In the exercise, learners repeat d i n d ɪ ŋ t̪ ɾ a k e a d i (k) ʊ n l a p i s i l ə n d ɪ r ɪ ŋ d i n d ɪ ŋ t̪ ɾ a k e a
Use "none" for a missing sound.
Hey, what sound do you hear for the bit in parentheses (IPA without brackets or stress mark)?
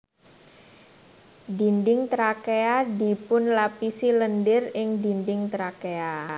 p